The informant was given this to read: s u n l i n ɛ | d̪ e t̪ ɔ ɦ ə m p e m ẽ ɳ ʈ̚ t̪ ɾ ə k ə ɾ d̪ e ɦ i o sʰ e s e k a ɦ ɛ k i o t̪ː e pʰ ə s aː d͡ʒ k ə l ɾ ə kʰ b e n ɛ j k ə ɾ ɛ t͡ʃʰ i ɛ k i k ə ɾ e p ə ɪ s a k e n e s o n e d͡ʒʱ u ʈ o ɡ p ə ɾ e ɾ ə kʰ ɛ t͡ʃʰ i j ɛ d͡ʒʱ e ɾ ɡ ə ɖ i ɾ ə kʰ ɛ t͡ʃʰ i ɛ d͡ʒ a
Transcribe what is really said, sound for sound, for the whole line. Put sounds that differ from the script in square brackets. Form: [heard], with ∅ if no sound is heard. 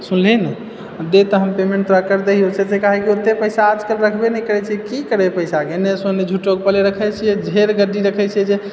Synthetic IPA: s u n l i n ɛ | d̪ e t̪ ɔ ɦ ə m p e m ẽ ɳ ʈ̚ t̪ ɾ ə k ə ɾ d̪ e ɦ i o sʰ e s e k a ɦ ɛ k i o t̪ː e [p] ə s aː d͡ʒ k ə l ɾ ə kʰ b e n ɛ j k ə ɾ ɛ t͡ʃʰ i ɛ k i k ə ɾ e p ə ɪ s a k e n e s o n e d͡ʒʱ u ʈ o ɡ p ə [l] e ɾ ə kʰ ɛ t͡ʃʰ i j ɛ d͡ʒʱ e ɾ ɡ ə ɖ i ɾ ə kʰ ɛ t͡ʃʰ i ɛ d͡ʒ [e]